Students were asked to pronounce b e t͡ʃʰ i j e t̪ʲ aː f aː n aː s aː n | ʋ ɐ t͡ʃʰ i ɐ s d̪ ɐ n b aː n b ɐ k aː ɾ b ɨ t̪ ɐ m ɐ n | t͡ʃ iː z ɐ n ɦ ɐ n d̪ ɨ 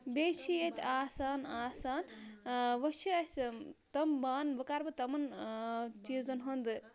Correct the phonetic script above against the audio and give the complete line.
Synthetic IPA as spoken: b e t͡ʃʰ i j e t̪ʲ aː s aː n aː s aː n | ʋ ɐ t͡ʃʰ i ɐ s t̪ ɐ m b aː n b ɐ k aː ɾ b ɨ t̪ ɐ m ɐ n | t͡ʃ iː z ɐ n ɦ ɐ n d̪ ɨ